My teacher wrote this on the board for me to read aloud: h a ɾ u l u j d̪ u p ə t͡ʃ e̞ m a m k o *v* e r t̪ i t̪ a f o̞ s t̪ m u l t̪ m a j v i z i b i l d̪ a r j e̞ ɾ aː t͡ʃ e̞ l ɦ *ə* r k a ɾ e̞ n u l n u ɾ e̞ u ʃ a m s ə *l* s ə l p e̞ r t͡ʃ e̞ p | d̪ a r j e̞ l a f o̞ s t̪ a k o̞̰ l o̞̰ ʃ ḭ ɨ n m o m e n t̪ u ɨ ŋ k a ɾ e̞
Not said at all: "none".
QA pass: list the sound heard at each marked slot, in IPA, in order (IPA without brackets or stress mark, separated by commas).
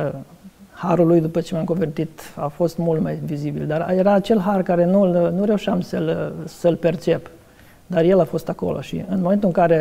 v, a, l